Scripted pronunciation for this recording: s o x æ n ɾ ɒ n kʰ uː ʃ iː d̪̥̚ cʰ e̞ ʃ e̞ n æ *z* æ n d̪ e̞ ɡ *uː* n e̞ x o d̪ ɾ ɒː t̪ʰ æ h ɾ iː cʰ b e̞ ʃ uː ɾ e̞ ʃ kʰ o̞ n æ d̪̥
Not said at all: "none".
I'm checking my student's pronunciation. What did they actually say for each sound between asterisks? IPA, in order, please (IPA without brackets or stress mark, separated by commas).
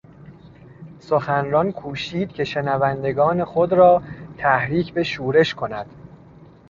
v, ɒː